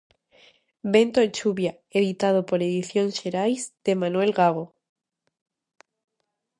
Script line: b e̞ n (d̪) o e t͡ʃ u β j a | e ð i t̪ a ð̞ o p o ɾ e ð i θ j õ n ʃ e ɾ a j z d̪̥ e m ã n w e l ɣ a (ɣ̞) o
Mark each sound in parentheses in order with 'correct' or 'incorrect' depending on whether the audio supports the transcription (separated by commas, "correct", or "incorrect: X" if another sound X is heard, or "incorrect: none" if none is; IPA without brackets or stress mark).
incorrect: t̪, correct